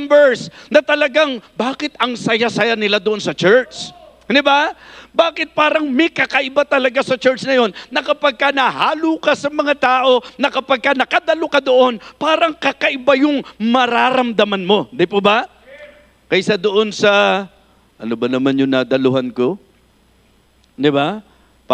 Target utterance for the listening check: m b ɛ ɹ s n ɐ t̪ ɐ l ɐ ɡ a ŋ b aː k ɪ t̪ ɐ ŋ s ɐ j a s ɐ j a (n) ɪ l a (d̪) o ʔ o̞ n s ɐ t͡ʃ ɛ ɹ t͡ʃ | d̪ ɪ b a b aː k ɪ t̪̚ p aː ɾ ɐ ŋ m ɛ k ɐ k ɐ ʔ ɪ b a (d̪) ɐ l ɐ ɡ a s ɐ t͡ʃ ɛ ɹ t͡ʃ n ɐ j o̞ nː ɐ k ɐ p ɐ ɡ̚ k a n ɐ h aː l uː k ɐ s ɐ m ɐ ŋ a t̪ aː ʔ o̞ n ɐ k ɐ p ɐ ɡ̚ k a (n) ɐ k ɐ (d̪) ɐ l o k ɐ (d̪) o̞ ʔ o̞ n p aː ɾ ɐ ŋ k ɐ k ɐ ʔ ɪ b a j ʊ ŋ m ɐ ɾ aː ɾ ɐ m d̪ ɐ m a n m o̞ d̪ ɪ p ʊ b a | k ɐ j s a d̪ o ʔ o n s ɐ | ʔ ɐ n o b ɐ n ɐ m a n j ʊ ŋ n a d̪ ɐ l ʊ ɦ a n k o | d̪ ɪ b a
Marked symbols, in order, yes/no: yes, yes, no, yes, yes, yes

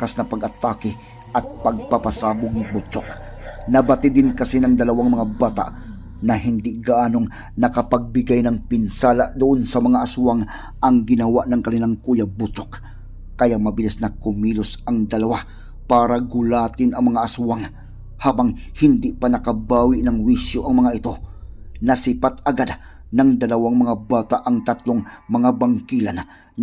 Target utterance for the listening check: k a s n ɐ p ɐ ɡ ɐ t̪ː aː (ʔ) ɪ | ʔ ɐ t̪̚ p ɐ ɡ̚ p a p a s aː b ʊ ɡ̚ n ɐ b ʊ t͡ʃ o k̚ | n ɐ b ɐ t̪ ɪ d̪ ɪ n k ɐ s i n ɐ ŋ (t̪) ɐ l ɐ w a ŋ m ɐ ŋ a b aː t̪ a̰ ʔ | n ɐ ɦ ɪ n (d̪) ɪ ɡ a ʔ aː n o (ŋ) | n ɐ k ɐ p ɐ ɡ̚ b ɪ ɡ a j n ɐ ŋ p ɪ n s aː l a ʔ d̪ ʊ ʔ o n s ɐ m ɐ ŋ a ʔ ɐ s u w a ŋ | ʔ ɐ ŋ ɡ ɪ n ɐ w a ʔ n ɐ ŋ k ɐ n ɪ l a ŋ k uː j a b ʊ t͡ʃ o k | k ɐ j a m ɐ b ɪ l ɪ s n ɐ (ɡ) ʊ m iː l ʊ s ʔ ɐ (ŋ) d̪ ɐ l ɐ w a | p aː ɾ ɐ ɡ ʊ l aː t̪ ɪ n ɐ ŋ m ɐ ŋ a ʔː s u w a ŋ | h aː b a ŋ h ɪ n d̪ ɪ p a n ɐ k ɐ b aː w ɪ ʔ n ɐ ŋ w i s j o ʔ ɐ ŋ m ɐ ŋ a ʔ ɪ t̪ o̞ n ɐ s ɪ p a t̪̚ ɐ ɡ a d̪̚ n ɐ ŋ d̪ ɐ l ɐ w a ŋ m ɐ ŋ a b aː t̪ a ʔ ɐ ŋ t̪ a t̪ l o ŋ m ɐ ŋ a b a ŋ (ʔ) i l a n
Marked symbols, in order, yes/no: no, no, yes, yes, no, yes, no

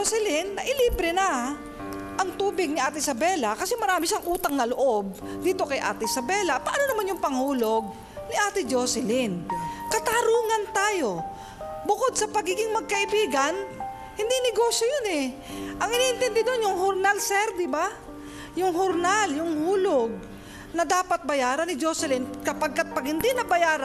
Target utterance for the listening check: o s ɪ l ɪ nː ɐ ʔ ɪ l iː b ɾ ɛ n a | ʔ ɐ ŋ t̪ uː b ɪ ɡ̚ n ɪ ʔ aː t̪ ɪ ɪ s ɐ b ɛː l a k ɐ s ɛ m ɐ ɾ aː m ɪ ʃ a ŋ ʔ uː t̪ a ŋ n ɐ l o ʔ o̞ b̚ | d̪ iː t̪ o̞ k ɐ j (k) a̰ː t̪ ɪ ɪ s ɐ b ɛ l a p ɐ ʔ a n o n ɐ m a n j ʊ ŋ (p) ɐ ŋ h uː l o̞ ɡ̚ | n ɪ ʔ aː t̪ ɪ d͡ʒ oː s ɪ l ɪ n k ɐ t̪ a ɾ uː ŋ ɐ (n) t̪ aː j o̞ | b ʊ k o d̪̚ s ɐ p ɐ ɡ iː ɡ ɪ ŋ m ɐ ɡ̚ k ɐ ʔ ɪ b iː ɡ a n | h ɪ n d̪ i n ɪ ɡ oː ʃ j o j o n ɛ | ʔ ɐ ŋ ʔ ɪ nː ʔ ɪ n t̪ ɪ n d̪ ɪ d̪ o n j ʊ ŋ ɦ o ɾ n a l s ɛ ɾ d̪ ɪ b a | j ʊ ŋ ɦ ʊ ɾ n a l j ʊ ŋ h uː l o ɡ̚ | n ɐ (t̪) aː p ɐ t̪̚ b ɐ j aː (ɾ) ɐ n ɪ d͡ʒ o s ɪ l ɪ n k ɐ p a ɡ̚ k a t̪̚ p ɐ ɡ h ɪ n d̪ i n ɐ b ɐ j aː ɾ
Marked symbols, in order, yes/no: no, yes, yes, no, yes

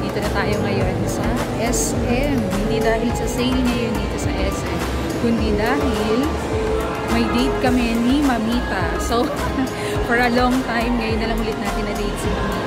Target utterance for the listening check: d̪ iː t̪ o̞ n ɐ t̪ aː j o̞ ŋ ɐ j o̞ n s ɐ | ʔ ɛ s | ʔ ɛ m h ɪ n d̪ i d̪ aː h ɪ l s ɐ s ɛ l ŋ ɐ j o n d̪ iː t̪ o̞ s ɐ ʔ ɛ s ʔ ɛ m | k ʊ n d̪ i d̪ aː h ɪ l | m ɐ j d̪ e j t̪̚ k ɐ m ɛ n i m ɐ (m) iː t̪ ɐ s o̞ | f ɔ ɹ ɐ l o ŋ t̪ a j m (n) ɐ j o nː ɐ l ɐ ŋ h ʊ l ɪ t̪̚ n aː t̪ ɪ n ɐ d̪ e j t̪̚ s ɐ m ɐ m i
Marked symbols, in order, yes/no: yes, no

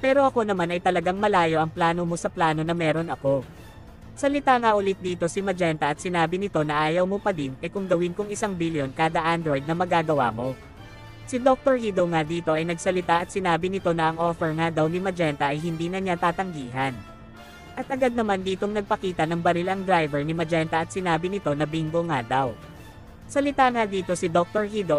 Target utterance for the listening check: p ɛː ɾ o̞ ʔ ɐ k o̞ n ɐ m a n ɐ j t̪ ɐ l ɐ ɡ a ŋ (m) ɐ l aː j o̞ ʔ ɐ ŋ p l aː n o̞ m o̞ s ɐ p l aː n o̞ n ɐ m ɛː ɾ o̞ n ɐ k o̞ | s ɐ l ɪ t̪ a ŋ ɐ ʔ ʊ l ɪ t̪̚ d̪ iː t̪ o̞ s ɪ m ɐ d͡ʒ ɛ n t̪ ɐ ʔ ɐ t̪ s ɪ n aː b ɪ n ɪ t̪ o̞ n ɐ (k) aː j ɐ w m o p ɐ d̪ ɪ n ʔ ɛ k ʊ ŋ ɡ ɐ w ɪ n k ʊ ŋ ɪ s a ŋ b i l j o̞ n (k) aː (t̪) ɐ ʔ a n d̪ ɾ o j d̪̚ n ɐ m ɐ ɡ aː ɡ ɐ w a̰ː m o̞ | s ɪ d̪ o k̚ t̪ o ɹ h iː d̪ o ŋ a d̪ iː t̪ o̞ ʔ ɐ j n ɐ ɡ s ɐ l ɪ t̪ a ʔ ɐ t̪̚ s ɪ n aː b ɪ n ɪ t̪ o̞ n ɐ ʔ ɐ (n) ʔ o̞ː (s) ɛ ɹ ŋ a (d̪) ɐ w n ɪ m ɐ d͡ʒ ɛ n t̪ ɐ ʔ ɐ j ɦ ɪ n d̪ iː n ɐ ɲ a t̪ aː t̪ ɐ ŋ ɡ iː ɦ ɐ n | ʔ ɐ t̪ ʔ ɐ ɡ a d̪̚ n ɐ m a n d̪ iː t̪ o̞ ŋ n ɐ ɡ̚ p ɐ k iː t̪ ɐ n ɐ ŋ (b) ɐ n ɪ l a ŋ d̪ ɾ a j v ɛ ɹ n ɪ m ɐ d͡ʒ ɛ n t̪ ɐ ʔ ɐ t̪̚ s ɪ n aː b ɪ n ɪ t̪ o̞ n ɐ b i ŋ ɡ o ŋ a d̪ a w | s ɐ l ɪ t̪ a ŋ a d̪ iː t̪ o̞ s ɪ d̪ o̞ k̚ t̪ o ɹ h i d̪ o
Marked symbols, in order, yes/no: yes, no, yes, no, no, no, yes, yes

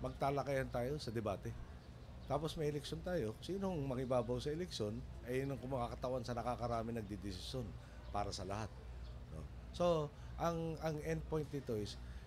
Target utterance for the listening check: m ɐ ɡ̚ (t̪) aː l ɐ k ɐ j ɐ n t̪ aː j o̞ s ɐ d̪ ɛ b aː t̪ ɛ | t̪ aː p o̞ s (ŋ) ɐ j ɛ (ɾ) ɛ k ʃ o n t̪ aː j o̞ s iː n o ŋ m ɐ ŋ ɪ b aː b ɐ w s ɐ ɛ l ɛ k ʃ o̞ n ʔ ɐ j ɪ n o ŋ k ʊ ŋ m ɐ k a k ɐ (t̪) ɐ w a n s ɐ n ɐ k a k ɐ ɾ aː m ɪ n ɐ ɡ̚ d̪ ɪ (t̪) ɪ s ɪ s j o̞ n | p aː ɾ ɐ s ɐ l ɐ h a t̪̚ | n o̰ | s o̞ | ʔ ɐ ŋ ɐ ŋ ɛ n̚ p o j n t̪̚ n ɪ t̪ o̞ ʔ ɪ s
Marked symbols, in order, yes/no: yes, no, no, yes, no

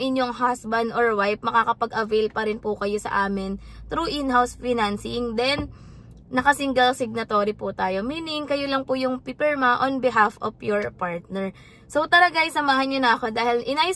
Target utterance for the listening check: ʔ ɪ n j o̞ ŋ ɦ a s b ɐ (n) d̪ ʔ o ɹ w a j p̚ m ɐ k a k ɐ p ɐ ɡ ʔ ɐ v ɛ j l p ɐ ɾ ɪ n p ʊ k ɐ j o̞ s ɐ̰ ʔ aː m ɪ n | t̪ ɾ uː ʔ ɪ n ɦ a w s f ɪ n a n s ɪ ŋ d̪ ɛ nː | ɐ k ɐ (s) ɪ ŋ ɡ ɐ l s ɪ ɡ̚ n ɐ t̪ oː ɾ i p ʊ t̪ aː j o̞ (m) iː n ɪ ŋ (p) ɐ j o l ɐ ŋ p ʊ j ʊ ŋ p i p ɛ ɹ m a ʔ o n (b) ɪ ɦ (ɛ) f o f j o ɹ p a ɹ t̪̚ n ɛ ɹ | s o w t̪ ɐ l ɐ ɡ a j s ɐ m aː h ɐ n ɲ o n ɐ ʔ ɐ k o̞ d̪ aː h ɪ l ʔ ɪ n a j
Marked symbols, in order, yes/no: yes, yes, yes, no, yes, no

